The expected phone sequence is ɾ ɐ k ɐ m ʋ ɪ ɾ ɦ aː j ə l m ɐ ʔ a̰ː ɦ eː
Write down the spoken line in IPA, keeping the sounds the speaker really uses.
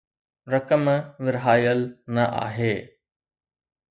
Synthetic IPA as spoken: ɾ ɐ k ə m ʋ ɪ ɾ ɦ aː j ə l n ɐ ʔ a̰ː ɦ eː